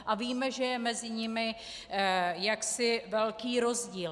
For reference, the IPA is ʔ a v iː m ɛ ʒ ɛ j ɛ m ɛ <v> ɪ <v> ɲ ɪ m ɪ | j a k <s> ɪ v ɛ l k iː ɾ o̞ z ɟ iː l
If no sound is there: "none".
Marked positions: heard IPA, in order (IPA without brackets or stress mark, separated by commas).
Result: z, none, s